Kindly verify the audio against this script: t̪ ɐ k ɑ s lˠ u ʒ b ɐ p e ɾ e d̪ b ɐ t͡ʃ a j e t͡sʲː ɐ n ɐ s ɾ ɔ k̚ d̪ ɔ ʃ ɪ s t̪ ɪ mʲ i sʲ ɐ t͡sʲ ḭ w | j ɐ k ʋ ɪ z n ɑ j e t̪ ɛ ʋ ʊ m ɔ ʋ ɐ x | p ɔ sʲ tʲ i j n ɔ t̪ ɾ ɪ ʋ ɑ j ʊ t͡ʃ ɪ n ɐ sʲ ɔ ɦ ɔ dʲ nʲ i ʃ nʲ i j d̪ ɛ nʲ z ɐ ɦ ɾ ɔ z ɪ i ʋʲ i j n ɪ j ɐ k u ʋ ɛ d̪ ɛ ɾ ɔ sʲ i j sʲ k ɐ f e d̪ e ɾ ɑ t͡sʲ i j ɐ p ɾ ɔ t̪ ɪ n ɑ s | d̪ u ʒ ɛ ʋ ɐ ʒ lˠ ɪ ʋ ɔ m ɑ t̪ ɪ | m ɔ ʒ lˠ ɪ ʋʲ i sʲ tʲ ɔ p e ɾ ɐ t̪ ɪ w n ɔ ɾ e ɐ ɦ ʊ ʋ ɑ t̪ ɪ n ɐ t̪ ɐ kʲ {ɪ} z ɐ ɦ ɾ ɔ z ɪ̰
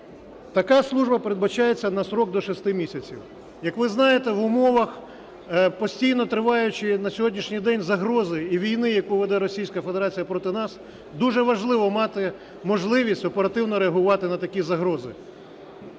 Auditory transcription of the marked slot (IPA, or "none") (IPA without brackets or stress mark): i